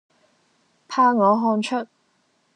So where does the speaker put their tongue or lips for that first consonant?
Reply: lips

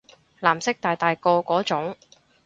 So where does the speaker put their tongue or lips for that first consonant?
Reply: tongue tip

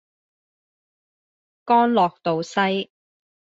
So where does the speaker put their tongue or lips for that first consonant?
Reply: velum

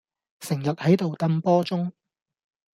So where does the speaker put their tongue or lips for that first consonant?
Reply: tongue tip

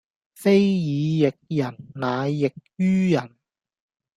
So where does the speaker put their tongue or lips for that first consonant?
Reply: lips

